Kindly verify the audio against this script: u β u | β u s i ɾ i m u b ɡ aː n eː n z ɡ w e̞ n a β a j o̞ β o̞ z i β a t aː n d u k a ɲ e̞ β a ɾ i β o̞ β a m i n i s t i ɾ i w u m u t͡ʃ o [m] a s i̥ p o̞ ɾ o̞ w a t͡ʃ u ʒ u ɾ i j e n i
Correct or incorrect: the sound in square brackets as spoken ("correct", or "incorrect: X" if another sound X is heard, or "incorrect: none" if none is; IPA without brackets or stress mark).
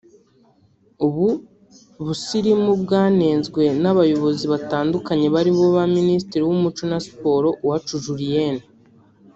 incorrect: n